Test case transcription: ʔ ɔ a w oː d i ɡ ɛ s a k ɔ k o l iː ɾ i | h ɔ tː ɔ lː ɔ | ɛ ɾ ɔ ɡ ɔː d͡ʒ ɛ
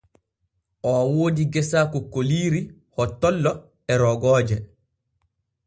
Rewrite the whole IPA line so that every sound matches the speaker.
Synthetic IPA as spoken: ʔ ɔ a w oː d i ɡ ɛ s a k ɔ k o l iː ɾ i | h ɔ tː ɔ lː ɔ | ɛ ɾ ɔ ɡ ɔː d͡ʒ ɛ